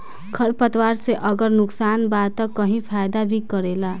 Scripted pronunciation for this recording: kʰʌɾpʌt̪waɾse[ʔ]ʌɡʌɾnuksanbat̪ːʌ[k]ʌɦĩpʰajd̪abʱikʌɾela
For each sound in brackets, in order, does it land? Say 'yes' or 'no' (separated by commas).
yes, yes